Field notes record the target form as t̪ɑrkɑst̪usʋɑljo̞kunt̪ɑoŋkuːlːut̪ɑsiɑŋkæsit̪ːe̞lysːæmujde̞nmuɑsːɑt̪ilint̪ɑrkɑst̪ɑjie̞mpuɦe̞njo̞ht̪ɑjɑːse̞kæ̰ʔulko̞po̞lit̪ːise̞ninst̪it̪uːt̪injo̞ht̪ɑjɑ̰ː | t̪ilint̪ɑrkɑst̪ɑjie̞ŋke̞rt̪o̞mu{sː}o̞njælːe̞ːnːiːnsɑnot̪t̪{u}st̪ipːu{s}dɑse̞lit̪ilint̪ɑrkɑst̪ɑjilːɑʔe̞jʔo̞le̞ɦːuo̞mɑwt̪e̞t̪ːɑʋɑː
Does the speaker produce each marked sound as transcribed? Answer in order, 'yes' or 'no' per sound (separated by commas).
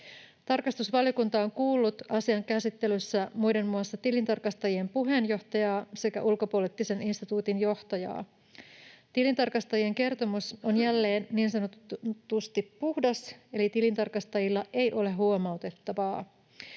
no, yes, no